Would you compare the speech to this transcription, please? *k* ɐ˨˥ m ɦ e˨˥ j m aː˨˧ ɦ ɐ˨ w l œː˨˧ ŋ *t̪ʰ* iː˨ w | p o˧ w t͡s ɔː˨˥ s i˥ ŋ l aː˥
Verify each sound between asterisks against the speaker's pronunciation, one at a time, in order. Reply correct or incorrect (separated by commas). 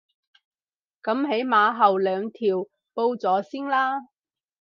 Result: correct, correct